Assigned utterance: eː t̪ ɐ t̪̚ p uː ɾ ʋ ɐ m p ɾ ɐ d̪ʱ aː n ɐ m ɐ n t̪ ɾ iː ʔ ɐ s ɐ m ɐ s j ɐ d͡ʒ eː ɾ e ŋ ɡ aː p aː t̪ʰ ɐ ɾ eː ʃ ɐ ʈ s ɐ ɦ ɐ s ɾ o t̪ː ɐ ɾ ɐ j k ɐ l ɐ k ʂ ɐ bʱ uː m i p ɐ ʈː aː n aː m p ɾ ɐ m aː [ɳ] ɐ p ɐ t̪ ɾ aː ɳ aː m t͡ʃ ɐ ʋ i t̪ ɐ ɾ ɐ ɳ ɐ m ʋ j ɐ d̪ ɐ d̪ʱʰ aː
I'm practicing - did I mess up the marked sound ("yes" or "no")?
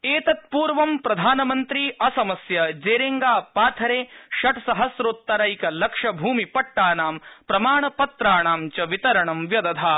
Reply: no